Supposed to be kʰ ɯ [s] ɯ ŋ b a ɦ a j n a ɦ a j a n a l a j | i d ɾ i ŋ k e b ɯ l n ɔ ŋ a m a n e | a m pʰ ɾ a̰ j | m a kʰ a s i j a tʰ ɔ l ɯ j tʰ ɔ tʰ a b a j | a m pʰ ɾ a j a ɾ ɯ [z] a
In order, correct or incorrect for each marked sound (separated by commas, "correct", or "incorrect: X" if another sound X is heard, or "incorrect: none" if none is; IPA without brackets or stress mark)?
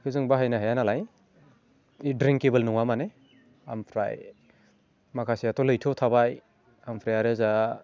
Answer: incorrect: z, correct